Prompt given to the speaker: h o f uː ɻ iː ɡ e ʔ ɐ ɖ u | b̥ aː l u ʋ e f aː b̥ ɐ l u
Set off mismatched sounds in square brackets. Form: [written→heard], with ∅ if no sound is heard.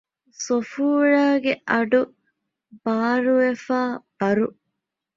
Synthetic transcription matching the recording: [h→s] o f uː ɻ [iː→aː] ɡ e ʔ ɐ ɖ u | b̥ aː [l→ɾ] u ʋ e f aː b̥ ɐ [l→ɾ] u